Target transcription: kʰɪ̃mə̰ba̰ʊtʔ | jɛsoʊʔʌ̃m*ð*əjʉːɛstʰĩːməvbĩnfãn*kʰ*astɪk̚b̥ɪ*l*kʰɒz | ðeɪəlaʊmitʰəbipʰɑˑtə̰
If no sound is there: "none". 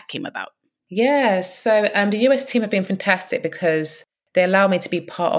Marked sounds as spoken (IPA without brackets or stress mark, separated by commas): ð, tʰ, none